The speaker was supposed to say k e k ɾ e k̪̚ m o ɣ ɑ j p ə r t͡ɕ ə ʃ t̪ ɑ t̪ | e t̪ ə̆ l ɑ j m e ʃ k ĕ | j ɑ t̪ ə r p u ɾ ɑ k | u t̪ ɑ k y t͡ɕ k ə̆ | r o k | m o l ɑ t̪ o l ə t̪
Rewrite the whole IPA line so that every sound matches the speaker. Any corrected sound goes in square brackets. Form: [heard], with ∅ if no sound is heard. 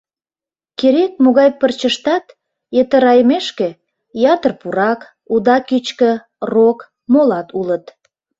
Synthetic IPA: k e [∅] ɾ e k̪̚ m o ɣ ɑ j p ə r t͡ɕ ə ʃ t̪ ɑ t̪ | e t̪ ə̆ [ɾ] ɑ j m e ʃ k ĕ | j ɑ t̪ ə r p u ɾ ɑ k | u [d̪] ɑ k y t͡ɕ k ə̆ | r o k | m o l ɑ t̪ [u] l ə t̪